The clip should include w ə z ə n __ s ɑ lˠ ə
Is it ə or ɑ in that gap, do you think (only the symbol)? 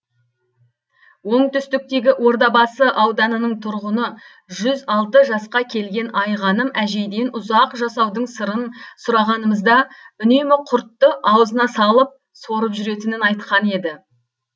ɑ